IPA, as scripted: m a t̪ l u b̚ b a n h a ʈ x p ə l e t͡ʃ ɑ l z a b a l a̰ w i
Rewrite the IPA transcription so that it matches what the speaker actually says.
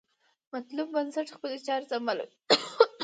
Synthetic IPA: m a t̪ l u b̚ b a n s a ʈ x p ə l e t͡ʃ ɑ ɾ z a m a l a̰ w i